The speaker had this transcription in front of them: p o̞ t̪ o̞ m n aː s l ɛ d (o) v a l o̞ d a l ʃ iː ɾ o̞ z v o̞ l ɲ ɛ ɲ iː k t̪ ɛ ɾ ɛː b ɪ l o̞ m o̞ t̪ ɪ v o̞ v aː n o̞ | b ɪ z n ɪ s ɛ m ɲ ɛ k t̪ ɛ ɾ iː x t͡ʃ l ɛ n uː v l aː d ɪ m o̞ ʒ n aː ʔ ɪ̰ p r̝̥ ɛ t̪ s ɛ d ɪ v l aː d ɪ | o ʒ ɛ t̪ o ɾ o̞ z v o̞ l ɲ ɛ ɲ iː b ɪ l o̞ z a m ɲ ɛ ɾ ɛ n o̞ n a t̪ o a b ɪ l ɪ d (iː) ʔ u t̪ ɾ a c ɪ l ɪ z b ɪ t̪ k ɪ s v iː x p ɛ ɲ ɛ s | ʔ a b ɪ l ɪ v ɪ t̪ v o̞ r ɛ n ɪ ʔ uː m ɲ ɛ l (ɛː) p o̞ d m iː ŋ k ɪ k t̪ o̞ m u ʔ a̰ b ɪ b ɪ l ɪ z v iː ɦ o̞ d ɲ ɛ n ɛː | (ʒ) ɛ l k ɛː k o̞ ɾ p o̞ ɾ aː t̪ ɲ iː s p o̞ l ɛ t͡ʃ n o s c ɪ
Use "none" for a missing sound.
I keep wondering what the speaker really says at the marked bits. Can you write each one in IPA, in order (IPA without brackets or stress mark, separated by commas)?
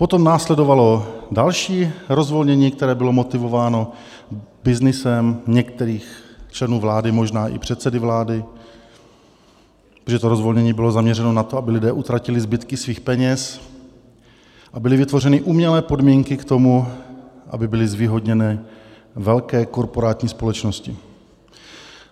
o, ɛː, ɛː, v